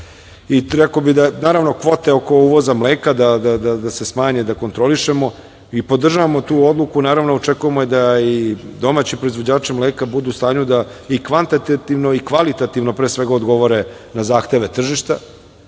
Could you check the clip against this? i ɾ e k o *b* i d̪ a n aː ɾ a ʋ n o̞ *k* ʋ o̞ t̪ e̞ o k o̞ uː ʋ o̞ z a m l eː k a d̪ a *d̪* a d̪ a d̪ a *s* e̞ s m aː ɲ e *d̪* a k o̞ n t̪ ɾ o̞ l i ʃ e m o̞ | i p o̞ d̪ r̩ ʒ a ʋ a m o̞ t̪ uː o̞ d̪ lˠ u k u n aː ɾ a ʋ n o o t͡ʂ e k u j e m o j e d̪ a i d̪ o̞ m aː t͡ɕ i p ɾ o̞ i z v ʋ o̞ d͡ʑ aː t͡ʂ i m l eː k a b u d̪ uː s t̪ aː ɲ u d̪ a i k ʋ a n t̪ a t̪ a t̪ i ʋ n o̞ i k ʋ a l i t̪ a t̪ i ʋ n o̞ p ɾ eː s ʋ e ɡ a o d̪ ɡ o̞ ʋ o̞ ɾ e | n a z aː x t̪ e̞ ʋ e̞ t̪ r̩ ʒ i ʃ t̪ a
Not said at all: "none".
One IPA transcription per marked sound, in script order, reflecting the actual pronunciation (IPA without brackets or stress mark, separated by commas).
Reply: b, k, d̪, s, d̪